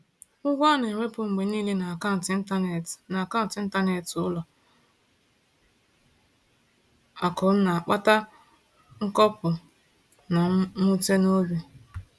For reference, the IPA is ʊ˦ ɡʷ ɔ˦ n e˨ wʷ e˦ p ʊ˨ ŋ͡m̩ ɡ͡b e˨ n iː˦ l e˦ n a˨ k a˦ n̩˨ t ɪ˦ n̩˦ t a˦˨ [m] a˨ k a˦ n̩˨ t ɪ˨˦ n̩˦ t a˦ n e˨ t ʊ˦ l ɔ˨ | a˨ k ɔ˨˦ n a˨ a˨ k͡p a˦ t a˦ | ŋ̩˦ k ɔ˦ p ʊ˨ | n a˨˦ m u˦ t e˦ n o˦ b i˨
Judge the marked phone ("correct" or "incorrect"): incorrect